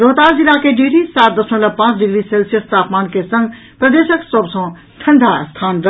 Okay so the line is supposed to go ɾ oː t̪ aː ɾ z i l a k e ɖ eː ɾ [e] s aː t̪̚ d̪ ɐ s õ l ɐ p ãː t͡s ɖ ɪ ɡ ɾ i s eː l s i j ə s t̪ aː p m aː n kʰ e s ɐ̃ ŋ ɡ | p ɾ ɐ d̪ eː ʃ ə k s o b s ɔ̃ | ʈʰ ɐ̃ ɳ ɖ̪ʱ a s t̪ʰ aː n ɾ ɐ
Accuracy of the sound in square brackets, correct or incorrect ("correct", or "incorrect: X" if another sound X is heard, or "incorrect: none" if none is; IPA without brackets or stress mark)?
incorrect: i